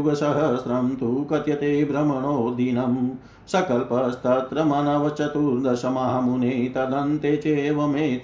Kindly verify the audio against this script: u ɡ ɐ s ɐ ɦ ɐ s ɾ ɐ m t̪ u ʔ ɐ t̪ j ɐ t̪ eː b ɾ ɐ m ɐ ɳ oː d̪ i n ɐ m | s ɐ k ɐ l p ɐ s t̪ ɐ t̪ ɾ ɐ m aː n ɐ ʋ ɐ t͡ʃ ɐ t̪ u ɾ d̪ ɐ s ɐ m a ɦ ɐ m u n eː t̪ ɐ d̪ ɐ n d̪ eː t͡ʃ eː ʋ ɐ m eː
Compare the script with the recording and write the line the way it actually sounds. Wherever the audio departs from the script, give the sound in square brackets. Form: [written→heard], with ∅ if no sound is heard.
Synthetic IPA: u ɡ ɐ s ɐ ɦ ɐ s ɾ ɐ m t̪ u [ʔ→k] ɐ t̪ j ɐ t̪ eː b ɾ ɐ m ɐ ɳ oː d̪ i n ɐ m | s ɐ k ɐ l p ɐ s t̪ ɐ t̪ ɾ ɐ m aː n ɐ ʋ ɐ t͡ʃ ɐ t̪ u ɾ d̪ ɐ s ɐ m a ɦ ɐ m u n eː t̪ ɐ d̪ ɐ n [d̪→t̪] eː t͡ʃ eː ʋ ɐ m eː